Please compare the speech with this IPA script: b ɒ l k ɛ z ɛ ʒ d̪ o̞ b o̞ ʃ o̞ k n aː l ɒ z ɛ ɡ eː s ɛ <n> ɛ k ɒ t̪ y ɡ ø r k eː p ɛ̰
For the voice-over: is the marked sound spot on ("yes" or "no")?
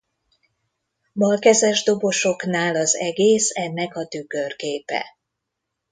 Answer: no